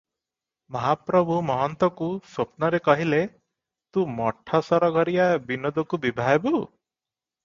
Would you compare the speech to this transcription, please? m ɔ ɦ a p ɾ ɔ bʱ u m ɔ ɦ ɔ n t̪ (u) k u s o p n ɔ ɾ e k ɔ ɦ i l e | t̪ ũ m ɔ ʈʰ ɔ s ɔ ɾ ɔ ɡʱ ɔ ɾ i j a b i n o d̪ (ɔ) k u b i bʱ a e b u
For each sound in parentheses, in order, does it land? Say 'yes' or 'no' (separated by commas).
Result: no, yes